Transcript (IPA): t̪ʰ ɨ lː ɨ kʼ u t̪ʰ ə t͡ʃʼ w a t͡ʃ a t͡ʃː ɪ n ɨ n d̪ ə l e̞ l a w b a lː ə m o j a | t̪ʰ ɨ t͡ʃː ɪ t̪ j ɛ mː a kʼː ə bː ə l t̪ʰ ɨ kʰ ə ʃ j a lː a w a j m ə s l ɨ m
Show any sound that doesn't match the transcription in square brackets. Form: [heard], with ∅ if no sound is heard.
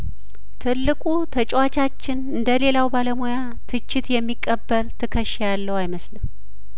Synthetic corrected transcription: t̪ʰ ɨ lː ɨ kʼ u t̪ʰ ə t͡ʃʼ w a t͡ʃ a t͡ʃː ɪ n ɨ n d̪ ə l e̞ l a w b a [l] ə m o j a | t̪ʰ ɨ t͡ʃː ɪ t̪ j ɛ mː [i] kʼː ə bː ə l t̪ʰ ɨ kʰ ə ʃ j a lː [ə] w a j m ə s l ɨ m